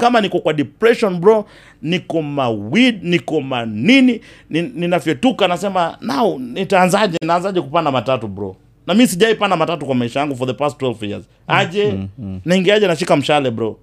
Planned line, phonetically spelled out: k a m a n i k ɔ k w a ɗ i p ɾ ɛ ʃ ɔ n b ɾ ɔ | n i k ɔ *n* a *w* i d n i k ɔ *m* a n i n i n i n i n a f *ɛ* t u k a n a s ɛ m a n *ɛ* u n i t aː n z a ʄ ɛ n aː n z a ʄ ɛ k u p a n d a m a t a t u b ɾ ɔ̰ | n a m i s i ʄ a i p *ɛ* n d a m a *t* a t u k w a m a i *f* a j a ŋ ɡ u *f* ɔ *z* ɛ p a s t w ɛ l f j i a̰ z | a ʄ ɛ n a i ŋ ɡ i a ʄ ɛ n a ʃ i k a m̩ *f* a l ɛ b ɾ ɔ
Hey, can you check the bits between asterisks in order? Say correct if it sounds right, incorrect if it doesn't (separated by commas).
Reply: incorrect, correct, correct, correct, incorrect, incorrect, correct, incorrect, correct, incorrect, incorrect